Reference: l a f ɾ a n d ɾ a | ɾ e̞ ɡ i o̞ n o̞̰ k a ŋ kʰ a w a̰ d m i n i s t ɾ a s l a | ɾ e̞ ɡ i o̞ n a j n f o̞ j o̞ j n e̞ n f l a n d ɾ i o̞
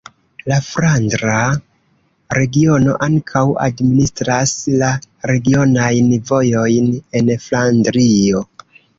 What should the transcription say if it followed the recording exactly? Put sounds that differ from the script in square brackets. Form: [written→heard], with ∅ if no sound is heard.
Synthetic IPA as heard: l a f ɾ a n d ɾ a | ɾ e̞ ɡ i o̞ n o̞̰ [k→ʔ] a ŋ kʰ a w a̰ d m i n i s t ɾ a s l a | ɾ e̞ ɡ i o̞ n a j n [f→v] o̞ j o̞ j n e̞ n f l a n d ɾ i o̞

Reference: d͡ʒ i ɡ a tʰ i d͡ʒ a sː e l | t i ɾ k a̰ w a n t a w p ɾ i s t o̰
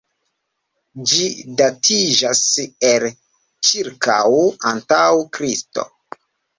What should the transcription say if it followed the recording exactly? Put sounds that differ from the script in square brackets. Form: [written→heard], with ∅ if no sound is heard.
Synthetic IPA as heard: d͡ʒ i [ɡ→d] a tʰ i d͡ʒ a [sː→s] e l | [t→t͡ʃ] i ɾ k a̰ w a n t a w [p→k] ɾ i s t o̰

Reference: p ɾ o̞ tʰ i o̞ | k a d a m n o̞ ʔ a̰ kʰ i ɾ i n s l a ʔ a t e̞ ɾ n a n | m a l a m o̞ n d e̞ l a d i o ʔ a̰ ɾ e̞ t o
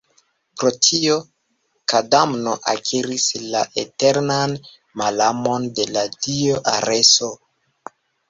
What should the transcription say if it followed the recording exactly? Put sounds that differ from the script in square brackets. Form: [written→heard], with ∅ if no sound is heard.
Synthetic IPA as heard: p ɾ o̞ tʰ i o̞ | k a d a m n o̞ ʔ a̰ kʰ i ɾ i [n→∅] s l a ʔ [a→e] t e̞ ɾ n a n | m a l a m o̞ n d e̞ l a d i o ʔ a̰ ɾ e̞ [t→s] o

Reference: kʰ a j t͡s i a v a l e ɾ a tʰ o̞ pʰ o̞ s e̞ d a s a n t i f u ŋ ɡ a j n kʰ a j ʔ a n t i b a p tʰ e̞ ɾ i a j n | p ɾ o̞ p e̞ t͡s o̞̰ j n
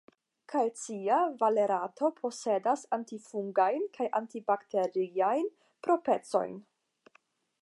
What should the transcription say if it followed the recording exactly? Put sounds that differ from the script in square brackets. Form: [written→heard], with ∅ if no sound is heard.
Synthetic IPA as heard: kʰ a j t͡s i a v a l e ɾ a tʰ o̞ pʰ o̞ s e̞ d a s a n t i f u ŋ ɡ a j n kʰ a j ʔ a n t i b a [p→k] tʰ e̞ ɾ i a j n | p ɾ o̞ p e̞ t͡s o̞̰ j n

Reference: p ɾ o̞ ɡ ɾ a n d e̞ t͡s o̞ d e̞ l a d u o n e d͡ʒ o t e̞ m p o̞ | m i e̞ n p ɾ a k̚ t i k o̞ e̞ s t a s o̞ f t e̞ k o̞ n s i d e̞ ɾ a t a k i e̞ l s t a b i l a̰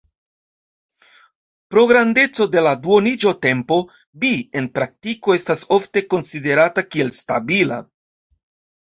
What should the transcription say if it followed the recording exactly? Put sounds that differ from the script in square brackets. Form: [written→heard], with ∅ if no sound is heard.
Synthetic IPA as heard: p ɾ o̞ ɡ ɾ a n d e̞ t͡s o̞ d e̞ l a d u o n [e→i] d͡ʒ o t e̞ m p o̞ | [m→b] i e̞ n p ɾ a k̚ t i k o̞ e̞ s t a s o̞ f t e̞ k o̞ n s i d e̞ ɾ a t a k i e̞ l s t a b i l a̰

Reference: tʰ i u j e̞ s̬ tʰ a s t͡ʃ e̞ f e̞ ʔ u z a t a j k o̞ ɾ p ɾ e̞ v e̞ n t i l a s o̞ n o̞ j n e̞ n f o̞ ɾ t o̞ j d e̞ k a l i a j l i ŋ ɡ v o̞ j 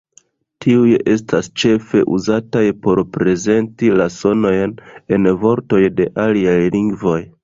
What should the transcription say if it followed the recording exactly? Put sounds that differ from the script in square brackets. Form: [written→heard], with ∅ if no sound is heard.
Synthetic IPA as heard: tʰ i u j e̞ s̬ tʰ a s t͡ʃ e̞ f e̞ ʔ u z a t a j [k→p] o̞ ɾ p ɾ e̞ [v→z] e̞ n t i l a s o̞ n o̞ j n e̞ n [f→v] o̞ ɾ t o̞ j d e̞ [k→ʔ] a l i a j l i ŋ ɡ v o̞ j

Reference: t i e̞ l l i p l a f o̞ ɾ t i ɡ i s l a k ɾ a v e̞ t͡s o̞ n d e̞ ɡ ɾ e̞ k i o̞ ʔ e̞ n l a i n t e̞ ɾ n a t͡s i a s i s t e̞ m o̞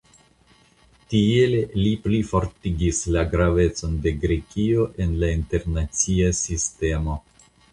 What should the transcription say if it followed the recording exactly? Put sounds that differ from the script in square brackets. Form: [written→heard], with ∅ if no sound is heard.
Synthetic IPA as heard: t i e̞ l l i p l [a→i] f o̞ ɾ t i ɡ i s l a [k→ɡ] ɾ a v e̞ t͡s o̞ n d e̞ ɡ ɾ e̞ k i o̞ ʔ e̞ n l a i n t e̞ ɾ n a t͡s i a s i s t e̞ m o̞

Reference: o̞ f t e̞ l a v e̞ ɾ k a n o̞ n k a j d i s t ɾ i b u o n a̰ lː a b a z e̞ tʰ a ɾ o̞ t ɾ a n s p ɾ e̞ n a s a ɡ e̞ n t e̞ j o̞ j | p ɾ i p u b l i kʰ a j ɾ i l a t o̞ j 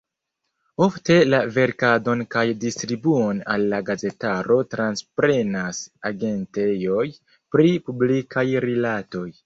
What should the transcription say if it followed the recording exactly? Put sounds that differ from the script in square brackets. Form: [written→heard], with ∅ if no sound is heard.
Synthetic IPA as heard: o̞ f t e̞ l a v e̞ ɾ k a [n→d] o̞ n k a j d i s t ɾ i b u o n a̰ lː a [b→ɡ] a z e̞ [tʰ→t] a ɾ o̞ t ɾ a n s p ɾ e̞ n a s a ɡ e̞ n t e̞ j o̞ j | p ɾ i p u b l i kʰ a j ɾ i l a t o̞ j

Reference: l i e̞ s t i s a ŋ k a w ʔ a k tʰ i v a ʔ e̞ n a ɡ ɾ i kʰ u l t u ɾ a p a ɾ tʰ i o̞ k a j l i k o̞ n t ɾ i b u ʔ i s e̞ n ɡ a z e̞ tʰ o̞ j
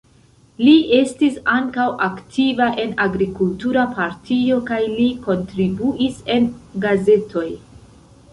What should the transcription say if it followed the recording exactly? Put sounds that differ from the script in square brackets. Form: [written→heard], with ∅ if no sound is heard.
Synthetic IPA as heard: l i e̞ s t i s a ŋ k a w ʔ a k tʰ i v a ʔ e̞ n a ɡ ɾ i [kʰ→k] u l t u ɾ a p a ɾ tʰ i o̞ k a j l i k o̞ n t ɾ i b u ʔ i s e̞ n ɡ a z e̞ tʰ o̞ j

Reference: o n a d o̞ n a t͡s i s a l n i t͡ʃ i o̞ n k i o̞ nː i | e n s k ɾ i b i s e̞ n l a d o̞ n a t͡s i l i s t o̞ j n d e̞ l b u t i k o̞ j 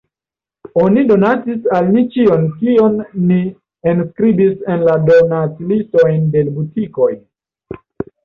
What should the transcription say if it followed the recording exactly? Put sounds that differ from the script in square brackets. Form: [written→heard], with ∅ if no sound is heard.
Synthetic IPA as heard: o n [a→i] d o̞ n a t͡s i s a l n i t͡ʃ i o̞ n k i o̞ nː i | e n s k ɾ i b i s e̞ n l a d o̞ n a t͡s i l i s t o̞ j n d e̞ l b u t i k o̞ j

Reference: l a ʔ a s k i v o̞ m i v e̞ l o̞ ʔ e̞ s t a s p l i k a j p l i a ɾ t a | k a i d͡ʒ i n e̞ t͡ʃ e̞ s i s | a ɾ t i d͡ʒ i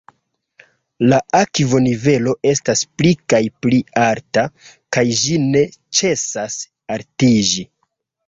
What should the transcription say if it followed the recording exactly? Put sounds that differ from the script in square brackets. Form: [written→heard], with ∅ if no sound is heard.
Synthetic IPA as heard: l a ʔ a [s→∅] k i v o̞ [m→n] i v e̞ l o̞ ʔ e̞ s t a s p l i k a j p l i a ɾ t a | k a [i→j] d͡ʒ i n e̞ t͡ʃ e̞ s [i→a] s | a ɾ t i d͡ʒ i

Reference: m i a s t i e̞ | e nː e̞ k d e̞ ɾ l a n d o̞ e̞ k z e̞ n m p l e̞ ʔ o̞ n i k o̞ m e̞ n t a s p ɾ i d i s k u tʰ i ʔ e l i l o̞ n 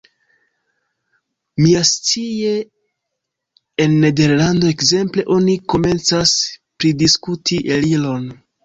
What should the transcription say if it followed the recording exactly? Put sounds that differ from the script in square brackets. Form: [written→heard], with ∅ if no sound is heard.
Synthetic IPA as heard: m i a s [t→t͡s] i e̞ | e nː e̞ [k→∅] d e̞ ɾ l a n d o̞ e̞ k z e̞ [n→∅] m p l e̞ ʔ o̞ n i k o̞ m e̞ n [t→t͡s] a s p ɾ i d i s k u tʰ i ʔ e l i l o̞ n

